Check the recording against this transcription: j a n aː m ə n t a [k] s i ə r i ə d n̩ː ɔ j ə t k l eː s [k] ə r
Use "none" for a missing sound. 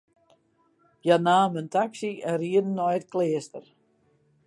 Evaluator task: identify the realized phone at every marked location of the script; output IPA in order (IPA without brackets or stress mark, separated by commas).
k, t